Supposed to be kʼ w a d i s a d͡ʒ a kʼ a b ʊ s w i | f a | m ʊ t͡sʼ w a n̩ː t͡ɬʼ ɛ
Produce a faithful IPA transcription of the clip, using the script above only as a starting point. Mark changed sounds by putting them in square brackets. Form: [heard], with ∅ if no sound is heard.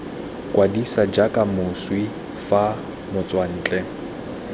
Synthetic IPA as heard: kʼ w a d i s a d͡ʒ a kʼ a [m] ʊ s w i | f a | m ʊ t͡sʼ w a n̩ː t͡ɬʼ ɛ